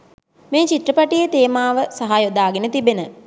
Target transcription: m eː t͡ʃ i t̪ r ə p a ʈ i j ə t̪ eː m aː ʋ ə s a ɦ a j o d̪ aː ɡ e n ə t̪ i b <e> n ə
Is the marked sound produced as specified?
yes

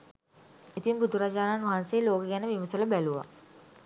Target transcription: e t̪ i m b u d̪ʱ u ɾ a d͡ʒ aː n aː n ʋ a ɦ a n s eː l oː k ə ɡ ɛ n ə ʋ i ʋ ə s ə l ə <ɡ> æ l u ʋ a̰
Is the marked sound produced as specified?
no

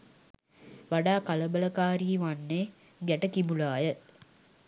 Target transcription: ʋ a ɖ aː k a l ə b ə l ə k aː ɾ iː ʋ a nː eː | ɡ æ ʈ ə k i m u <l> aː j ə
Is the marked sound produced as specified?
yes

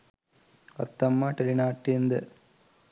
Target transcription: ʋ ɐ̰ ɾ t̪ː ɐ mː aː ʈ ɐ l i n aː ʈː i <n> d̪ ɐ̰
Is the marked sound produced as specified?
yes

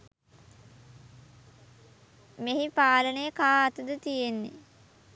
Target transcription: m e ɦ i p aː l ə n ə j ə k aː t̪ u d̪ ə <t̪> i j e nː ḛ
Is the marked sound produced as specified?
yes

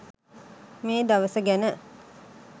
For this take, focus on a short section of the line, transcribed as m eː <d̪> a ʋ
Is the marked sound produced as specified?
yes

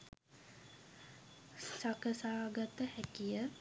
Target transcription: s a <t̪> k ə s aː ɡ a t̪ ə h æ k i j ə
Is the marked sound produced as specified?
no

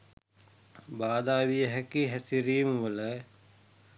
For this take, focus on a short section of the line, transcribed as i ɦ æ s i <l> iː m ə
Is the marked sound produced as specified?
no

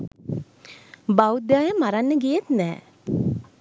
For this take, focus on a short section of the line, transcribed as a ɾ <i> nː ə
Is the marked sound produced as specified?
no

